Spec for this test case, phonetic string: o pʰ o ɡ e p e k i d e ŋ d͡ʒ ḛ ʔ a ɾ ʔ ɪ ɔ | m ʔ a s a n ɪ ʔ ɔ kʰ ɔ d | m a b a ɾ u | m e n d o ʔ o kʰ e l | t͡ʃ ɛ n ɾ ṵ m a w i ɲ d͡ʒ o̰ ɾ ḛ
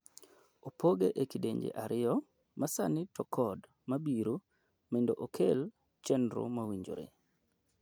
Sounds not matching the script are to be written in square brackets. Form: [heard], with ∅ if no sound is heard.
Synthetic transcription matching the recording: o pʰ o ɡ e [ʔ] e k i d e [ɲ] d͡ʒ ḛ ʔ a ɾ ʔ ɪ ɔ | m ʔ a s a n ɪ [t] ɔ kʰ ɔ d | m a b [i] ɾ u | m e n d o ʔ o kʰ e l | t͡ʃ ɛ n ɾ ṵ m a w i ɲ d͡ʒ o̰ ɾ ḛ